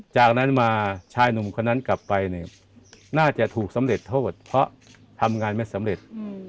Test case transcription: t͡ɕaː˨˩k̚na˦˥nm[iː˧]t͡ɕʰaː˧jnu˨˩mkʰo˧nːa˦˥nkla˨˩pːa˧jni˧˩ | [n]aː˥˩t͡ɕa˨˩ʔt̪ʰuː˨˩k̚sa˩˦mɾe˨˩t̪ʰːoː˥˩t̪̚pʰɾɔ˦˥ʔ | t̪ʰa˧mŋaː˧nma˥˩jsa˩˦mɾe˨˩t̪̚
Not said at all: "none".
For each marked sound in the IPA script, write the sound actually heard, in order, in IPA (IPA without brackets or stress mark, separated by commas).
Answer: aː˧, n